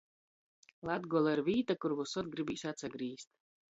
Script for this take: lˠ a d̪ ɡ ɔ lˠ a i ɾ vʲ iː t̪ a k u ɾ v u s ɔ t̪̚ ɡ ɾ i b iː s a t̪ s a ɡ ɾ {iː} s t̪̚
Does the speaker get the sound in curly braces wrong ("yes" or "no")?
no